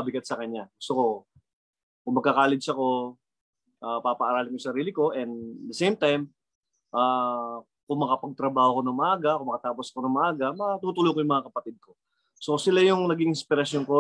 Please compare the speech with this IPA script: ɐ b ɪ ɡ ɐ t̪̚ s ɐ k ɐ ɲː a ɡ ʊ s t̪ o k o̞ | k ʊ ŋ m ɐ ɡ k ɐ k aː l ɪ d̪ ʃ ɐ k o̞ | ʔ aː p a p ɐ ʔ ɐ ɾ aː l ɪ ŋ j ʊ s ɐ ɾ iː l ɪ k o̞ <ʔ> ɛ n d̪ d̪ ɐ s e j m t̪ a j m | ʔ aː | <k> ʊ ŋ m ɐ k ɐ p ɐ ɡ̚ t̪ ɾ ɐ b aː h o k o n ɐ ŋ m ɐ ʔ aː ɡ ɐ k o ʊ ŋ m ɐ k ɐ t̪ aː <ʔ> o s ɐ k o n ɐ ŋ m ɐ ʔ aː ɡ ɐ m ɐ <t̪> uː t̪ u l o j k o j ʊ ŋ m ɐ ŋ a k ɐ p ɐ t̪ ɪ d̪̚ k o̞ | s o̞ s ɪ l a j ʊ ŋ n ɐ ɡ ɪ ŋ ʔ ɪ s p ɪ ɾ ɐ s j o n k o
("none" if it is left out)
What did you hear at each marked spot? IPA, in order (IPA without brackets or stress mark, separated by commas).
ʔ, k, p, t̪